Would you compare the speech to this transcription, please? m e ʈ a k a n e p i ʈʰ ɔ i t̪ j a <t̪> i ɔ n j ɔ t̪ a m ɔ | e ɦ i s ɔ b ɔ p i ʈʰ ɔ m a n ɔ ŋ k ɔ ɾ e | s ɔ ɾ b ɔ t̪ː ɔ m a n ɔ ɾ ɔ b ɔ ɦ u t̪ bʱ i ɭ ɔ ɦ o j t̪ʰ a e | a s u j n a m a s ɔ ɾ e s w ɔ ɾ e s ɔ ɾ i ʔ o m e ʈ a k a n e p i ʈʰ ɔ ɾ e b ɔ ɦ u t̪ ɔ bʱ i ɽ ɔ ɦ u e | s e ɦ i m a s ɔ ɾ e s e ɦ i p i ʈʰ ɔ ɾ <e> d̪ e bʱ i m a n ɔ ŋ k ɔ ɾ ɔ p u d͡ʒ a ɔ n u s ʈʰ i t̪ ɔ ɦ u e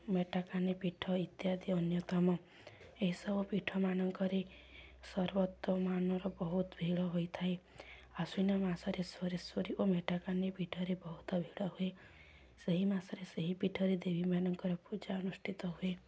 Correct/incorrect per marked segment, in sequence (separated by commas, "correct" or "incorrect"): incorrect, correct